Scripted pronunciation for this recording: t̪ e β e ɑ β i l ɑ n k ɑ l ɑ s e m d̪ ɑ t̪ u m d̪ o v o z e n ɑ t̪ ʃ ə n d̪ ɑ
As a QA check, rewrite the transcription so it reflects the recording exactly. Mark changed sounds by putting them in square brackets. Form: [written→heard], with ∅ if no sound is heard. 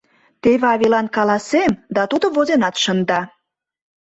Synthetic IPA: t̪ e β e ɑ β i l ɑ n k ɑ l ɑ s e m d̪ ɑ t̪ u [m→∅] d̪ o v o z e n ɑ t̪ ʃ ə n d̪ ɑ